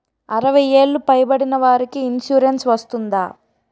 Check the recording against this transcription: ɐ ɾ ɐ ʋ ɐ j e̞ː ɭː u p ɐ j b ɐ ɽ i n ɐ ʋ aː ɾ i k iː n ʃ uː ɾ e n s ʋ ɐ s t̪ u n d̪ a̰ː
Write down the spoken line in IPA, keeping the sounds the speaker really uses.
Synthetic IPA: ɐ ɾ ɐ ʋ ɐ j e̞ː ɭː u p ɐ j b ɐ ɽ i n ɐ ʋ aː ɾ i k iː n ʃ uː ɾ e n s ʋ ɐ s t̪ u n d̪ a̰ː

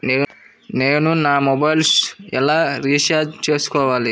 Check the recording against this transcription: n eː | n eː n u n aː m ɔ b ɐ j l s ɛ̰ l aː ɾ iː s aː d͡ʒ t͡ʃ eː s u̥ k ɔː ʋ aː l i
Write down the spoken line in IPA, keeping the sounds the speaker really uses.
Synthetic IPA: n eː | n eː n u n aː m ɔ b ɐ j l s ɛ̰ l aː ɾ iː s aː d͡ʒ t͡ʃ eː s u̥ k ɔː ʋ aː l i

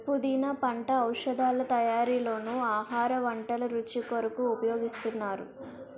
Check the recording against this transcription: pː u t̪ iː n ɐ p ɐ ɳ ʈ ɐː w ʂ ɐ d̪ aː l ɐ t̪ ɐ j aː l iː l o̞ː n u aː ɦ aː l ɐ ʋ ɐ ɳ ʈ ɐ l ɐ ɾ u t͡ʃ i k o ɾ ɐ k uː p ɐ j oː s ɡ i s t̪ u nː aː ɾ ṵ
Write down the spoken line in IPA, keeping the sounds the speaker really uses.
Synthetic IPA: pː u d̪ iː n ɐ p ɐ ɳ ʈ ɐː w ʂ ɐ d̪ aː l ɐ t̪ ɐ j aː ɾ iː l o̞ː n u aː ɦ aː ɾ ɐ ʋ ɐ ɳ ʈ ɐ l ɐ ɾ u t͡ʃ i k o ɾ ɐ k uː p ɐ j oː ɡ i s t̪ u nː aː ɾ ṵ

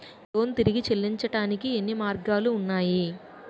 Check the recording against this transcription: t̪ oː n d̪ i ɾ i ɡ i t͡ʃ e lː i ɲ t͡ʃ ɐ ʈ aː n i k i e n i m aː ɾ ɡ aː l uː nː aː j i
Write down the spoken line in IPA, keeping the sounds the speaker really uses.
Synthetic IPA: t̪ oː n t̪ i ɾ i ɡ i t͡ʃ e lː i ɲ t͡ʃ ɐ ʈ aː n i k i e nː i m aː ɾ ɡ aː l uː nː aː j i

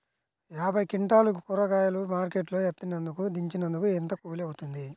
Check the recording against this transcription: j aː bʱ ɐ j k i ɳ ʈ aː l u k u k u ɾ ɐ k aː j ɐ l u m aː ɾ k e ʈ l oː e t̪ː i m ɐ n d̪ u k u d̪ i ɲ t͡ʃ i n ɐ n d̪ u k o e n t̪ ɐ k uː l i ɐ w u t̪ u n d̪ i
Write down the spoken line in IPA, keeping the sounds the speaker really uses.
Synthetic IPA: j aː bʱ ɐ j k i ɳ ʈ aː l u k u k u ɾ ɐ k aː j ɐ l u m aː ɾ k e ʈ l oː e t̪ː i n ɐ n d̪ u k u d̪ i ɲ t͡ʃ i n ɐ n d̪ u k u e n t̪ ɐ k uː l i ɐ w u t̪ u n d̪ i

